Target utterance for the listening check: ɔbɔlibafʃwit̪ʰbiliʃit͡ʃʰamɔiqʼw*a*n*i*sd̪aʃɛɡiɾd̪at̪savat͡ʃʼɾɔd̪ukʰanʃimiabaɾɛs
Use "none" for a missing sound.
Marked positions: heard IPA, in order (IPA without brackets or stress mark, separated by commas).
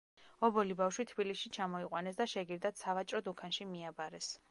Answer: a, ɛ